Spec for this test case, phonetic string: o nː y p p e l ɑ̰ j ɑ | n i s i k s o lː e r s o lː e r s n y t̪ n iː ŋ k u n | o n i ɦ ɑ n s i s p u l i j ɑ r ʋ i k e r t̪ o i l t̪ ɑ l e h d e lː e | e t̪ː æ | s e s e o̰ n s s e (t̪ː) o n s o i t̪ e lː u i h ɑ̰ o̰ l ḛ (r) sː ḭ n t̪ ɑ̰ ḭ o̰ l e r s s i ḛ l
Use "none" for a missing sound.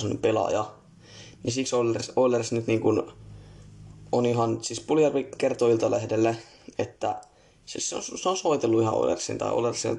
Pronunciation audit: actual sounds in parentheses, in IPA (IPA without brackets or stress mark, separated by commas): none, r